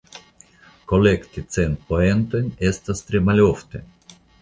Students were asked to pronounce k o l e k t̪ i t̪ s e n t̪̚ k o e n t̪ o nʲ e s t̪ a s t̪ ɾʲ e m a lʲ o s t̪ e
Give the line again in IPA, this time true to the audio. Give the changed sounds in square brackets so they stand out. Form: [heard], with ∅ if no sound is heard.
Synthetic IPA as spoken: k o l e k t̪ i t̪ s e n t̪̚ [p] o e n t̪ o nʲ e s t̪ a s t̪ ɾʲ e m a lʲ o [f] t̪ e